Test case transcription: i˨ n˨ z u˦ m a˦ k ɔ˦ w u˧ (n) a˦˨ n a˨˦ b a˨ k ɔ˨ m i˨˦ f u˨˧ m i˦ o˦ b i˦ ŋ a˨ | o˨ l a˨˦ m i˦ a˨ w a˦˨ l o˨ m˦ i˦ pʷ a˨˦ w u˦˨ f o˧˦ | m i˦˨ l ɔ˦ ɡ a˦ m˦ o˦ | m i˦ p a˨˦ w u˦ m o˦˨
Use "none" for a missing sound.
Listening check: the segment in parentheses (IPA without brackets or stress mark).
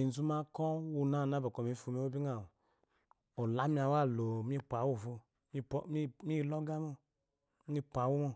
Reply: n